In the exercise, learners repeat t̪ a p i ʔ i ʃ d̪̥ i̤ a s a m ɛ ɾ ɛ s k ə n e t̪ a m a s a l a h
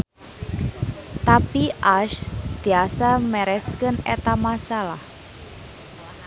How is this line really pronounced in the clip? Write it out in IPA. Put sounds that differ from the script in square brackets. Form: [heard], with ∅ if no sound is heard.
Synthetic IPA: t̪ a p i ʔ [a] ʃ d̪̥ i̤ a s a m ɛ ɾ ɛ s k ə n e t̪ a m a s a l a h